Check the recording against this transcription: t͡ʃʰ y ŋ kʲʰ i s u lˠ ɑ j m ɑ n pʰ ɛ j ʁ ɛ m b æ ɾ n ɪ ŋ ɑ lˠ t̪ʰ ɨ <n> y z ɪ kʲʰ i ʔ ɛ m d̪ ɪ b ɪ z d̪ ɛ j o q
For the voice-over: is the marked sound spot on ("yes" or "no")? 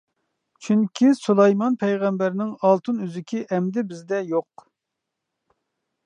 yes